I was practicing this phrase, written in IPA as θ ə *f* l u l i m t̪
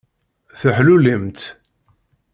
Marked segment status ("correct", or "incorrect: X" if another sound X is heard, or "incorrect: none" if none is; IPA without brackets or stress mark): incorrect: ħ